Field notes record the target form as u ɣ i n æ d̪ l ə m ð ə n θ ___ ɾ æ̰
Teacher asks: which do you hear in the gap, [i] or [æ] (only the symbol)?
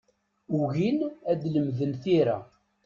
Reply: i